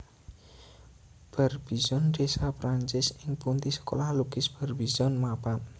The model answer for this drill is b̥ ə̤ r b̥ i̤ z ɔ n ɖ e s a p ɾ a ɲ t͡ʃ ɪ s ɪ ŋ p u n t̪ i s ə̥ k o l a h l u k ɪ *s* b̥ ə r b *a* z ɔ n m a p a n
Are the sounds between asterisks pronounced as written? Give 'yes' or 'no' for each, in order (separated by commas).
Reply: yes, no